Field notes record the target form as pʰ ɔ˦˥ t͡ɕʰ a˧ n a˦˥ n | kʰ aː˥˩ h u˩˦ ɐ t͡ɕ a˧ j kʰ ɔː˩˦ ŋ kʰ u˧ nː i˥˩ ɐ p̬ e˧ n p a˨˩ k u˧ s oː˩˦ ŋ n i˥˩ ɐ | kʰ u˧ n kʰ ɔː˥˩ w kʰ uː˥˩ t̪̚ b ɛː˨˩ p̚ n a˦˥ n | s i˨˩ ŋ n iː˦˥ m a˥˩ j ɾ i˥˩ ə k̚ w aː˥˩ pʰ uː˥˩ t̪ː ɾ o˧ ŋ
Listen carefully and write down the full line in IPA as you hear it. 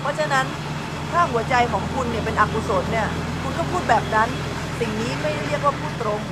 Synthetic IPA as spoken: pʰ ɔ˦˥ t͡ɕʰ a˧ n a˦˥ n | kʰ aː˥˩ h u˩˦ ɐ t͡ɕ a˧ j kʰ ɔː˩˦ ŋ kʰ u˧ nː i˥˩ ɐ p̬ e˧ n ʔ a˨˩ k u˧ s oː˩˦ n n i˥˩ ɐ | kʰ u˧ n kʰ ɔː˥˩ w pʰ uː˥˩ t̪̚ b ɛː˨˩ p̚ n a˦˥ n | s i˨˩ ŋ n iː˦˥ m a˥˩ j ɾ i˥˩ ə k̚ w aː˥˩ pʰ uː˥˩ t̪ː ɾ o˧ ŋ